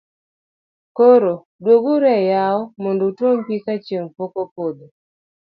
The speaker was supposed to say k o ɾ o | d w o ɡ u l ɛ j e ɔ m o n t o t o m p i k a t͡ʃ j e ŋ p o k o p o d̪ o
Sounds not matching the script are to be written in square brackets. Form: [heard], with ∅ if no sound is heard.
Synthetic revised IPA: k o ɾ o | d w o ɡ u [ɾ] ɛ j [a] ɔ m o n [d] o t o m p i k a t͡ʃ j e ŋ p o k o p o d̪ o